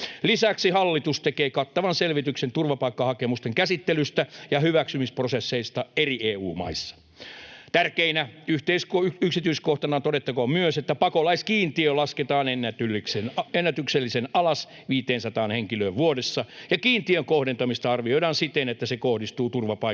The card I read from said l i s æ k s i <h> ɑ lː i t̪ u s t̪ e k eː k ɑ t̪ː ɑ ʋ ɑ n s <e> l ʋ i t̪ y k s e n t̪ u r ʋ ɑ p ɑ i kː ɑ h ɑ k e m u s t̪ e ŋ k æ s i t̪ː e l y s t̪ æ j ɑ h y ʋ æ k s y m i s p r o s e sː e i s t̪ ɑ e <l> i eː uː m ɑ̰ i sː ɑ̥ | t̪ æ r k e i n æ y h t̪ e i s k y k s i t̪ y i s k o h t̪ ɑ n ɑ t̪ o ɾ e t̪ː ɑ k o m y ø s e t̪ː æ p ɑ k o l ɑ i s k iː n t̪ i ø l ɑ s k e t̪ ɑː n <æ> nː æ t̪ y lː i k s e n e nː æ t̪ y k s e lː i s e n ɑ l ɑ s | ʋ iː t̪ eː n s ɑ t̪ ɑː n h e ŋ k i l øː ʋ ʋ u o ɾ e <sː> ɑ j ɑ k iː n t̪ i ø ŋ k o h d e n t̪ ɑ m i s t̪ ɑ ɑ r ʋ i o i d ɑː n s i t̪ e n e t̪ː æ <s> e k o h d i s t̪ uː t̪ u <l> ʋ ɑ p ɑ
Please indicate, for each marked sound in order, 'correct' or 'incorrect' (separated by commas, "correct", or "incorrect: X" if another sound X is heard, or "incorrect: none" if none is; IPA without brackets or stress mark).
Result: correct, correct, incorrect: r, incorrect: e, correct, correct, incorrect: r